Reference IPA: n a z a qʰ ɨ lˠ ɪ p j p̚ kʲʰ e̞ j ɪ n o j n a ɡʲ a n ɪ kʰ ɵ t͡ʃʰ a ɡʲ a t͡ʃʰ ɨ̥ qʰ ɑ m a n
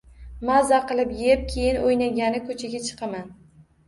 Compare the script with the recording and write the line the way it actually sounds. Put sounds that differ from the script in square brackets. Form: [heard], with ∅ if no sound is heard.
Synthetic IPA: [m] a z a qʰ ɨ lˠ ɪ p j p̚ kʲʰ e̞ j ɪ n o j n a ɡʲ a n ɪ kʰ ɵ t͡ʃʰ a ɡʲ a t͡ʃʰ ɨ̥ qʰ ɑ m a n